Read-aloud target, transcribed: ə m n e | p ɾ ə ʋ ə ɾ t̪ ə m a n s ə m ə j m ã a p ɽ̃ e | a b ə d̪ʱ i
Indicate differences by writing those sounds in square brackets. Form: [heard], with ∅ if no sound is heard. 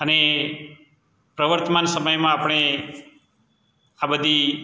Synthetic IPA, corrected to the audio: ə [∅] n e | p ɾ ə ʋ ə ɾ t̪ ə m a n s ə m ə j m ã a p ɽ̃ e | a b ə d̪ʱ i